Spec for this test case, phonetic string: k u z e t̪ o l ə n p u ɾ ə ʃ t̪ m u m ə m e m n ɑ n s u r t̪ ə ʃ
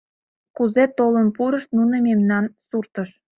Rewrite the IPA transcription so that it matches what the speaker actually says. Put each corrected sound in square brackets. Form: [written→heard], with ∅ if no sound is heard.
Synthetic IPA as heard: k u z e t̪ o l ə n p u ɾ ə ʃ t̪ [m→n] u [m→n] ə m e m n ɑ n s u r t̪ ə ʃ